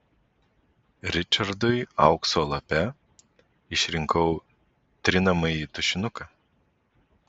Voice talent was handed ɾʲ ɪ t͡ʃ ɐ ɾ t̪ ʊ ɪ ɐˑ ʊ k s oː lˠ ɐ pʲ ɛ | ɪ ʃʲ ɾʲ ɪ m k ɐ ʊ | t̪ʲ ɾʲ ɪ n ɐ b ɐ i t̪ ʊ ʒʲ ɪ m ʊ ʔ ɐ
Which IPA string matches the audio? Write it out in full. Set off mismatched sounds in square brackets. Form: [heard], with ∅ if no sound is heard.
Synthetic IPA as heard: ɾʲ ɪ t͡ʃ ɐ ɾ [d̪] ʊ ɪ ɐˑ ʊ k s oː lˠ ɐ pʲ ɛ | ɪ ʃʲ ɾʲ ɪ [ŋ] k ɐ ʊ | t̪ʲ ɾʲ ɪ n ɐ [m] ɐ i t̪ ʊ [ʃʲ] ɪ [n] ʊ [k] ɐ